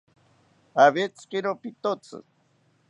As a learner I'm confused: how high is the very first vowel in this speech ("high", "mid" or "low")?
low